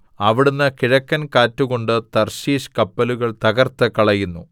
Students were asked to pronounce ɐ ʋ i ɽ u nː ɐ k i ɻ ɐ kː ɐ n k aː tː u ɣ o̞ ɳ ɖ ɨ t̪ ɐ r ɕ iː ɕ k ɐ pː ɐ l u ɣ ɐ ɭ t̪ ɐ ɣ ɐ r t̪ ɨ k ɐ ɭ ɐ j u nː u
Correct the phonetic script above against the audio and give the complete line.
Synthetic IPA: ɐ ʋ i ɽ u nː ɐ k i ɻ ɐ kː ɐ n k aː tː u ɣ o̞ ɳ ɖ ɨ t̪ ɐ r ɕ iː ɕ k ɐ pː ɐ l u ɣ ɐ ɭ t̪ ɐ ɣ ɐ r t̪ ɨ k ɐ ɭ ɐ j u nː u